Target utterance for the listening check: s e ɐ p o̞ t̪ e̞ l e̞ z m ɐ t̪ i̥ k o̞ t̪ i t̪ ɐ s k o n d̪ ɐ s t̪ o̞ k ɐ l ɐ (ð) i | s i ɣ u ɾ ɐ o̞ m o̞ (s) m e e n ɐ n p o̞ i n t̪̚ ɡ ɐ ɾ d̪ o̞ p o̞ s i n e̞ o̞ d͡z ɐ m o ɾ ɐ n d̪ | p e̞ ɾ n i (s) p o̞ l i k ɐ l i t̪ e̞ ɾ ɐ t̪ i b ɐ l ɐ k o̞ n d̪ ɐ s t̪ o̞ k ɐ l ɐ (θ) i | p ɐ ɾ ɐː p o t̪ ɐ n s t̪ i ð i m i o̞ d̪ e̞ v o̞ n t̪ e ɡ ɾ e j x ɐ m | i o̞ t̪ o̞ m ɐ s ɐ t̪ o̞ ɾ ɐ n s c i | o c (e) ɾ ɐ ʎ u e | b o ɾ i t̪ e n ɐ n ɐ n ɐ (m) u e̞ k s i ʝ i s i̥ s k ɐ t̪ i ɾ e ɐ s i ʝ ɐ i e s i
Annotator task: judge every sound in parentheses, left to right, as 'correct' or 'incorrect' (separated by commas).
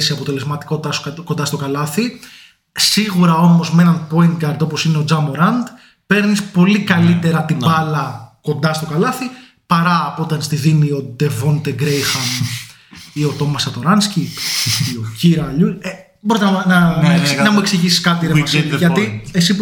incorrect, incorrect, correct, correct, incorrect, correct